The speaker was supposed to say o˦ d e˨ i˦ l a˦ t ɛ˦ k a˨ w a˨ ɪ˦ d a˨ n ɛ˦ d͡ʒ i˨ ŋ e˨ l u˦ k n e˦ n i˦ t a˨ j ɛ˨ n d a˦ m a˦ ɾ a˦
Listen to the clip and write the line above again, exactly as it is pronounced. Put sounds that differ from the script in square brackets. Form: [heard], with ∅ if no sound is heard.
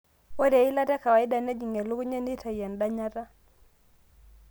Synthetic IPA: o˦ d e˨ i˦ l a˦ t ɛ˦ k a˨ w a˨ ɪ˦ d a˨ n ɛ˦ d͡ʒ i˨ ŋ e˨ l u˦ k [ɲ] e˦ n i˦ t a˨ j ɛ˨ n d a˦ [ɲ] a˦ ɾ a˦